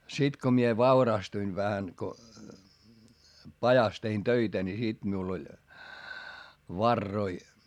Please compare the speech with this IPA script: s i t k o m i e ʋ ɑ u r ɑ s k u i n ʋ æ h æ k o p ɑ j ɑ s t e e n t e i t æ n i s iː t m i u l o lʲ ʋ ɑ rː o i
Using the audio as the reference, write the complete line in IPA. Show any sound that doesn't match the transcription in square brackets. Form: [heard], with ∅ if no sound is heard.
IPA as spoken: s i t k o m i e ʋ ɑ u r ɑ s [t] u i n ʋ æ h æ k o p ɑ j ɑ s t e [i] n t [ø] i t æ n i s [i] t m i u l o lʲ ʋ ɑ rː o i